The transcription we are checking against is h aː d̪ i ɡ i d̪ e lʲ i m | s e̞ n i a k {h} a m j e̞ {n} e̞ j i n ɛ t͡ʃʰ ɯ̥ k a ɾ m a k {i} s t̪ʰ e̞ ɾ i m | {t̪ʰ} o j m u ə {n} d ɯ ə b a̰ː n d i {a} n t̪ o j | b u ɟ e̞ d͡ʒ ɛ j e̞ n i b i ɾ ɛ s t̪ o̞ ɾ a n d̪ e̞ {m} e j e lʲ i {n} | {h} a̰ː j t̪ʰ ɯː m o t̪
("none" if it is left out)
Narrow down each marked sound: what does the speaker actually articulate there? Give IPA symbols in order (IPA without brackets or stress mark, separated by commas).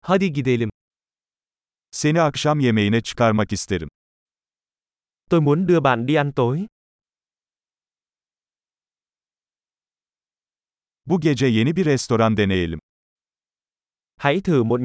ʃ, m, i, t̪, n, a, n, m, h